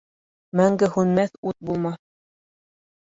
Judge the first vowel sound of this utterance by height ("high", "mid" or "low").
low